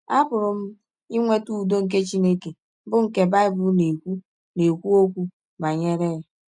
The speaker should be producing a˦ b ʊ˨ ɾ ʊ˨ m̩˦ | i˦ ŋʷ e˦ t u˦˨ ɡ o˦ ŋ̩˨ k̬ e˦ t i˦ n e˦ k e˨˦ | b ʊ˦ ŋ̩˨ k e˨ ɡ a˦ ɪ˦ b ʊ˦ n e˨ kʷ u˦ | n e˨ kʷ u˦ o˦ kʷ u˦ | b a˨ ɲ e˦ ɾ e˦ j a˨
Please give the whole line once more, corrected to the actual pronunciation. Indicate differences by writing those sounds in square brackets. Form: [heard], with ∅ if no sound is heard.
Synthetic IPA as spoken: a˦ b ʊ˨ ɾ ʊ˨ m̩˦ | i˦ ŋʷ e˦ t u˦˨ [d] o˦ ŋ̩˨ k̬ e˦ [t͡ʃ] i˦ n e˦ k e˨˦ | b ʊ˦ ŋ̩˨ k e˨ [b] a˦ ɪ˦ b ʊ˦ n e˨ kʷ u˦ | n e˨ kʷ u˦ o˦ kʷ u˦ | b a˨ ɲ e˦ ɾ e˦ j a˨